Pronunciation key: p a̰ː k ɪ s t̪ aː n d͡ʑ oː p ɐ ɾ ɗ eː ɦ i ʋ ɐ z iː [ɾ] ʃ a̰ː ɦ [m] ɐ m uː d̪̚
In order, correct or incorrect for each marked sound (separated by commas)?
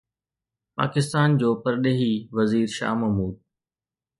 correct, correct